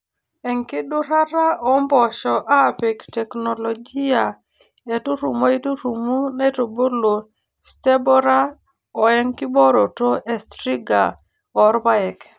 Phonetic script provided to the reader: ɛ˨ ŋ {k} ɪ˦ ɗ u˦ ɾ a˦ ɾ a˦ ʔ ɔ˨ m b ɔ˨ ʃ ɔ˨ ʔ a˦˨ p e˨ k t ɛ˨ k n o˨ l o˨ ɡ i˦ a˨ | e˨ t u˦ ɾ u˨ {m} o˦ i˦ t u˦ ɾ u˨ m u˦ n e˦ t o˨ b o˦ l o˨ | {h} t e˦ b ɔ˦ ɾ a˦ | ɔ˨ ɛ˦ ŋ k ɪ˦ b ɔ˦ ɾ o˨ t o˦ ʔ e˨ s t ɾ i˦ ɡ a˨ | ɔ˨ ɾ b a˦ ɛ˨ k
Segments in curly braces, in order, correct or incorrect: correct, correct, incorrect: s

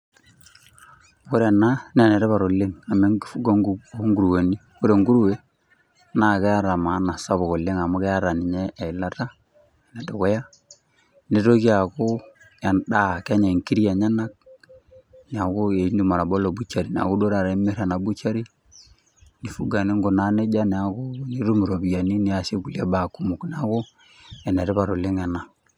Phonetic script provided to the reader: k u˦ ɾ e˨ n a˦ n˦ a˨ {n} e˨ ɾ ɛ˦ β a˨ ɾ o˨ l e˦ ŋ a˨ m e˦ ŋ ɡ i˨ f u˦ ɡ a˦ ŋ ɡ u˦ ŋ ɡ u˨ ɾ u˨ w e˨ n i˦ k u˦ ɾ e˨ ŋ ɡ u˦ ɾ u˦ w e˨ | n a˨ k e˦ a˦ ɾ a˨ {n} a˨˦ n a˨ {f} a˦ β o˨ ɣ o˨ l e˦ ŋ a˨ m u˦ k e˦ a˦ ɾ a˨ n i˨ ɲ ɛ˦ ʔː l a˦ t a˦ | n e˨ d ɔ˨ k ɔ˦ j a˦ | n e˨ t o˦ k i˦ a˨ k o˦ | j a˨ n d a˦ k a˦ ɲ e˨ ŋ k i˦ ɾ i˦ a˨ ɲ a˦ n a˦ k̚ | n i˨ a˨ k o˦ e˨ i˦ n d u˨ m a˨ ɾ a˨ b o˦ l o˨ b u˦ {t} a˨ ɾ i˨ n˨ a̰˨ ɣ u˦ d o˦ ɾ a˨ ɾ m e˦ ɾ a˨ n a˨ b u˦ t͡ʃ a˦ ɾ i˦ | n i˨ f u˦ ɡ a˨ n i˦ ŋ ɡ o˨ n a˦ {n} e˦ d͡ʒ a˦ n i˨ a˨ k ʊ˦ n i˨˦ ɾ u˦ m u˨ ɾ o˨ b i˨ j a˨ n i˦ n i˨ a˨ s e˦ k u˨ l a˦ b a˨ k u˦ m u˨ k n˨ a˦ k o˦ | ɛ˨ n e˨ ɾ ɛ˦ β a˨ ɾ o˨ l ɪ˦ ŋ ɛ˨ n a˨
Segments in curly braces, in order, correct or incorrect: correct, incorrect: m, incorrect: s, incorrect: t͡ʃ, correct

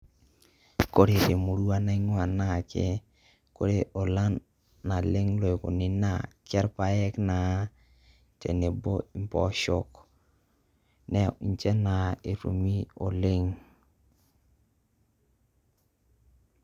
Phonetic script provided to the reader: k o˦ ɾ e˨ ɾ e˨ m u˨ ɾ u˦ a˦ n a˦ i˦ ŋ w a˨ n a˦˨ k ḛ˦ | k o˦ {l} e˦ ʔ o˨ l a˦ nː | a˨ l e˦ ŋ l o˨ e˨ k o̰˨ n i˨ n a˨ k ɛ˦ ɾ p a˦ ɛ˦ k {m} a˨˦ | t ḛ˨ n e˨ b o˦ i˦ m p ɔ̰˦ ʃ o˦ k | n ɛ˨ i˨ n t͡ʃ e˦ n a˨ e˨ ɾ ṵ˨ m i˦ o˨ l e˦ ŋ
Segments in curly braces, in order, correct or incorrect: incorrect: ɾ, incorrect: n

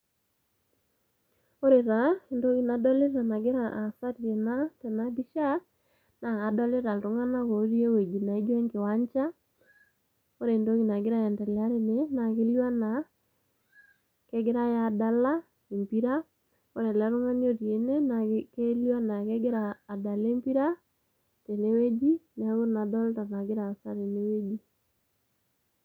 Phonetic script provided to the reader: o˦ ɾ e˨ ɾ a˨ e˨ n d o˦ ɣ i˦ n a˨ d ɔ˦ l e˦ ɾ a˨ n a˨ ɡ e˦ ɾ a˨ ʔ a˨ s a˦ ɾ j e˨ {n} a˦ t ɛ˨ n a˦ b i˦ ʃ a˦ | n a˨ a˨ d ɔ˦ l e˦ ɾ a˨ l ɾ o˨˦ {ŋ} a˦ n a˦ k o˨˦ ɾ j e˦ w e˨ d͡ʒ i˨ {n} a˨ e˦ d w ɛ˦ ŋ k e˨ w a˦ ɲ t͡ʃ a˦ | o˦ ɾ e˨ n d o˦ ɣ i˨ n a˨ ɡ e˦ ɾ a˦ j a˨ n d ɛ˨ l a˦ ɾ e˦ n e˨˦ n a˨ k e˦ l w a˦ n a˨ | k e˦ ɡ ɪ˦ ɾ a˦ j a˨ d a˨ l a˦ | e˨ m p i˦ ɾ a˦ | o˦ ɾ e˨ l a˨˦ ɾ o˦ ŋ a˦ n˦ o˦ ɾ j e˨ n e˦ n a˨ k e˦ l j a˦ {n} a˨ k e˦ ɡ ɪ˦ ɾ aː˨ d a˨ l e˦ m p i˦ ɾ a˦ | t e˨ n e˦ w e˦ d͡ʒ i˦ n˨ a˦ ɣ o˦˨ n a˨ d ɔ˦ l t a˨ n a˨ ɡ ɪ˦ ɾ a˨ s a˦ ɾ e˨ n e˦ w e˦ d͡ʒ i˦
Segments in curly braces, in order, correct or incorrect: correct, correct, correct, correct

